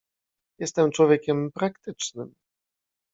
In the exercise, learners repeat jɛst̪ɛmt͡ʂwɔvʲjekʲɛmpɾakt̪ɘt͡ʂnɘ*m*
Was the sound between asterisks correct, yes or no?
yes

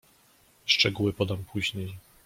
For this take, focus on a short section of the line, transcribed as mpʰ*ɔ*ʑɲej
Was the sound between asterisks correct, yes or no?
no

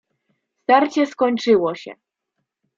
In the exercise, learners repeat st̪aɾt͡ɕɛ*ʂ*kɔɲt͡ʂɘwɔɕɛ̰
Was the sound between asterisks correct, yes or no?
no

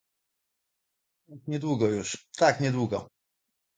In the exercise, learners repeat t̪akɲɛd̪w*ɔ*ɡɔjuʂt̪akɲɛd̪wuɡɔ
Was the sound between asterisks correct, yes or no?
no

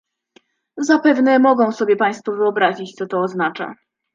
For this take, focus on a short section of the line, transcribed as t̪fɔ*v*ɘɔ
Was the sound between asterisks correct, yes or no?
yes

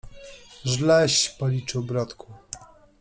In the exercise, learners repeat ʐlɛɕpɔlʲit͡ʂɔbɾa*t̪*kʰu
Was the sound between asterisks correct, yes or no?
yes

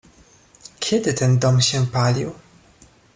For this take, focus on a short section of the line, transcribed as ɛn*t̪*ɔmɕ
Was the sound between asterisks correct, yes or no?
no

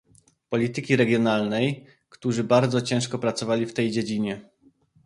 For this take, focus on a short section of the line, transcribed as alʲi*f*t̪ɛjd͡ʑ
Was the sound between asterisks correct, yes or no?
yes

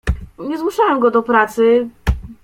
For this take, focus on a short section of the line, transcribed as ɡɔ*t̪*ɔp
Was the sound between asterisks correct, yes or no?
no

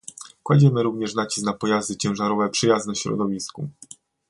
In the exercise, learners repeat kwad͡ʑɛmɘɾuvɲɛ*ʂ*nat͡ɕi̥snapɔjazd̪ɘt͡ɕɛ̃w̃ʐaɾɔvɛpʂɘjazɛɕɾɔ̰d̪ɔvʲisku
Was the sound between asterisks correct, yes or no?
yes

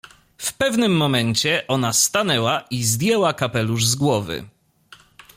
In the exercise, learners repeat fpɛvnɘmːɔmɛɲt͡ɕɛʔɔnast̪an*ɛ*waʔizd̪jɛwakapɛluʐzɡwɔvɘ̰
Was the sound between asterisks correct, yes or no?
yes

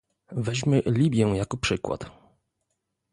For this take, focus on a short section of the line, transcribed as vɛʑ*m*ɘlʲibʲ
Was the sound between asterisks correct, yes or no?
yes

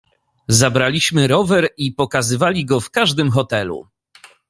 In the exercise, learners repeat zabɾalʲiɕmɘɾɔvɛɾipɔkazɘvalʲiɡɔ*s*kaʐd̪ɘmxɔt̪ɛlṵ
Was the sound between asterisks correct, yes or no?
no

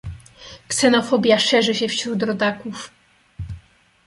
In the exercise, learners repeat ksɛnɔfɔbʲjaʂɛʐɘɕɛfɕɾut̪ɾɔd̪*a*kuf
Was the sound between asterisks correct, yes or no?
yes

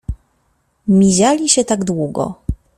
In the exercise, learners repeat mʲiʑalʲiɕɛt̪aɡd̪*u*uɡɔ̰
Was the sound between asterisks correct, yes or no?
no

